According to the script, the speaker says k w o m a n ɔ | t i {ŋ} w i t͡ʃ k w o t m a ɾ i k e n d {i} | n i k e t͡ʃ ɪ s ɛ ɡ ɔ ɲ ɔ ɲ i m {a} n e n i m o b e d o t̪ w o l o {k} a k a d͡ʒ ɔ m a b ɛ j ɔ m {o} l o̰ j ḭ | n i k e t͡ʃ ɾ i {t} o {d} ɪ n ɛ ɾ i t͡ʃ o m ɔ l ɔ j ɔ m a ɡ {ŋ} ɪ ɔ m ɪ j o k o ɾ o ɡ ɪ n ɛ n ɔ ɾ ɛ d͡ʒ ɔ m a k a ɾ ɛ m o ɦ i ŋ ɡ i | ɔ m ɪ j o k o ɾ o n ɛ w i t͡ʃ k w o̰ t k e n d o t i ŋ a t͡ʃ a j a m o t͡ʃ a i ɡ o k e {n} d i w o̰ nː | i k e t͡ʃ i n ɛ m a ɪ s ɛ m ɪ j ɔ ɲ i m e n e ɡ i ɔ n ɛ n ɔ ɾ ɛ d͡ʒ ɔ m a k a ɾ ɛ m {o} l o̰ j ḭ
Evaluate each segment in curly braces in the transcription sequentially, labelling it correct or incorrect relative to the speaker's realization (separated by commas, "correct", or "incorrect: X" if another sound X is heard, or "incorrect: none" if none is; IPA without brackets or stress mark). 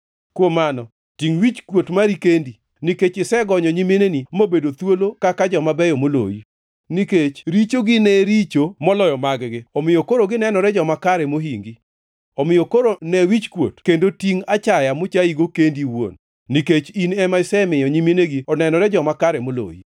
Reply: correct, correct, incorrect: e, correct, correct, incorrect: t͡ʃ, incorrect: ɡ, incorrect: ɡ, correct, correct